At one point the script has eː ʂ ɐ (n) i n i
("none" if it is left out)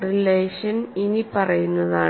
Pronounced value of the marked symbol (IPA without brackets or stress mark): n